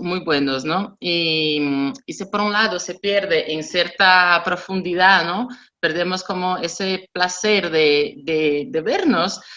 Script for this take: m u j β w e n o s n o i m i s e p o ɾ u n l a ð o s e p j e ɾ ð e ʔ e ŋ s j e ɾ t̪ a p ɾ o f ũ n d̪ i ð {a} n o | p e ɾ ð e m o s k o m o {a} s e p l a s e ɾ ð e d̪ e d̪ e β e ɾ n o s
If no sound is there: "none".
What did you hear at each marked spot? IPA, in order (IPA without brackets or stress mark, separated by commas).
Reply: a, e